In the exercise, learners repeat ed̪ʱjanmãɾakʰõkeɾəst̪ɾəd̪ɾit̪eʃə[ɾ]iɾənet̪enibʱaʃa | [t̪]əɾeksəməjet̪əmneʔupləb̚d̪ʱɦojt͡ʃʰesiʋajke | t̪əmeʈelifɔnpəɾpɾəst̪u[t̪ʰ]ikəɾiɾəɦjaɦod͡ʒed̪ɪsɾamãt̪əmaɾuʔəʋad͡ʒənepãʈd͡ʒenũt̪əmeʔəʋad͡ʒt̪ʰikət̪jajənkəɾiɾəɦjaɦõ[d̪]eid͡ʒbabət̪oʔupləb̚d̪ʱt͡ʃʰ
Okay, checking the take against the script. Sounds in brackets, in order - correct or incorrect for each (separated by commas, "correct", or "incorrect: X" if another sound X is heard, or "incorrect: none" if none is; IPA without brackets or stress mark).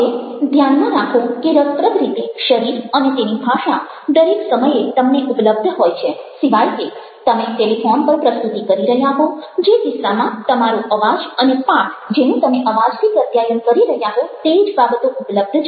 correct, incorrect: d̪, incorrect: t̪, incorrect: t̪